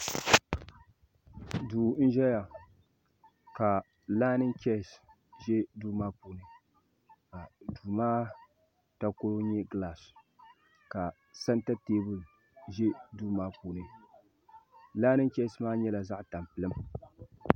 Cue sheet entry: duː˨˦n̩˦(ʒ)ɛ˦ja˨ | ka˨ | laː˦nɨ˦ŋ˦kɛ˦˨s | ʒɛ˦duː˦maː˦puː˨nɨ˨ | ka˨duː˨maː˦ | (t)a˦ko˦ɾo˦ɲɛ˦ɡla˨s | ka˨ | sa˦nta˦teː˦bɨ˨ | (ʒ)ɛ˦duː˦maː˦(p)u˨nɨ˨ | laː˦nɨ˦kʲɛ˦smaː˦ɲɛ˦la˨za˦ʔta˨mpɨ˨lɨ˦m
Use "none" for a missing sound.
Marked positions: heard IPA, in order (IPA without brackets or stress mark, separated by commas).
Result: ʒ, t, ʒ, p